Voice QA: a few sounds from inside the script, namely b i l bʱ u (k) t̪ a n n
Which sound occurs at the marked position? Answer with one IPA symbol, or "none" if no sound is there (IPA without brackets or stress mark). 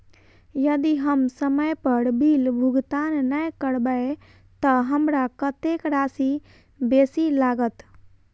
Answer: ɡ